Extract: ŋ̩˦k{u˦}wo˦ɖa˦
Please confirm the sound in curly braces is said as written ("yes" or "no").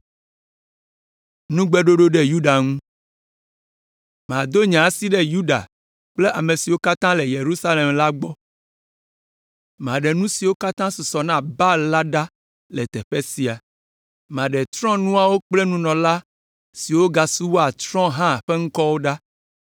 no